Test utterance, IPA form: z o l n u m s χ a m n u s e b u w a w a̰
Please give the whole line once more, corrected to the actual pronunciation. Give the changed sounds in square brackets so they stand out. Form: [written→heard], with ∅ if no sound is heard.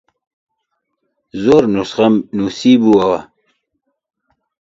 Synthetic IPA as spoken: z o [l→ɾ] n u [m→∅] s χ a m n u s [e→i] b u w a w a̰